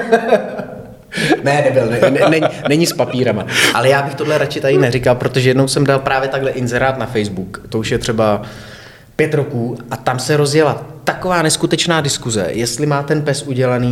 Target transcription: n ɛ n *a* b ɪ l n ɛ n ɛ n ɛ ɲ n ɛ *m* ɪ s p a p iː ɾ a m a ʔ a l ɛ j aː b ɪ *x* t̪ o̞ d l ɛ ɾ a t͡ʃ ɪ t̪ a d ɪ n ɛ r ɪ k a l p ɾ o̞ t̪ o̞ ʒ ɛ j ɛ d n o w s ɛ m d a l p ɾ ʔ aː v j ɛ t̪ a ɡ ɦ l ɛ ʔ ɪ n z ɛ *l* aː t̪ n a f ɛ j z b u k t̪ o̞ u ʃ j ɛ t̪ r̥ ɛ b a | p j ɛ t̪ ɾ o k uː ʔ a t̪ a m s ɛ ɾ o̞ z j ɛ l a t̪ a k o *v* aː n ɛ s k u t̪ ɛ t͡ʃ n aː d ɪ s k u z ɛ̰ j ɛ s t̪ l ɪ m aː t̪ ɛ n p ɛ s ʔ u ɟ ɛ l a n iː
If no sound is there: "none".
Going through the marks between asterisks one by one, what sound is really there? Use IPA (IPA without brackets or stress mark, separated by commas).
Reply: ɛ, ɲ, x, ɾ, v